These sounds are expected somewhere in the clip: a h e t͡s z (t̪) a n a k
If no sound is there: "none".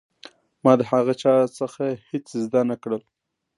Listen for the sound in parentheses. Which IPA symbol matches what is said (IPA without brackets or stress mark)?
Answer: d̪